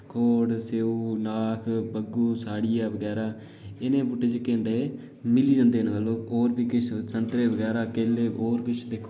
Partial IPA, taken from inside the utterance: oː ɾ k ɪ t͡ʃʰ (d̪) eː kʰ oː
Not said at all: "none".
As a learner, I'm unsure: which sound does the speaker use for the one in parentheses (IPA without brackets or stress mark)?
d̪